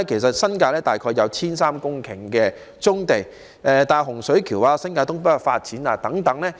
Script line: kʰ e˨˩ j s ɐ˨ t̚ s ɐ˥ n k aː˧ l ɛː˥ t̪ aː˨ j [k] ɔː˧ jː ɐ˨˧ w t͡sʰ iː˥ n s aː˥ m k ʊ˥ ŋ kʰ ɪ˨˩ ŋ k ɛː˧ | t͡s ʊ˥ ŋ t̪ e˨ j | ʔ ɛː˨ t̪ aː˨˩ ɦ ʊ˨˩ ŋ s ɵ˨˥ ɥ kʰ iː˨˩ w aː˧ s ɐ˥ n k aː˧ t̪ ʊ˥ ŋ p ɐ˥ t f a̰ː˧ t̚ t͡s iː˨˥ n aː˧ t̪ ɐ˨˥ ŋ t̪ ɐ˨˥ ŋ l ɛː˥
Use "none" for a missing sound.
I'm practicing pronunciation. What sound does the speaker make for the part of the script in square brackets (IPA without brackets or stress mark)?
kʰ